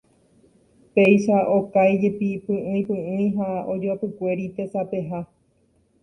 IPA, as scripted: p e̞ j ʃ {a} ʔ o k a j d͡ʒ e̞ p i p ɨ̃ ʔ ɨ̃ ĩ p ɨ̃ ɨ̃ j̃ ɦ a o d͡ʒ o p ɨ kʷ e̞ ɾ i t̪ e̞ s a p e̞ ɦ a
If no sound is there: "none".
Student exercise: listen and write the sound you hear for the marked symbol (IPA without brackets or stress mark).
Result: a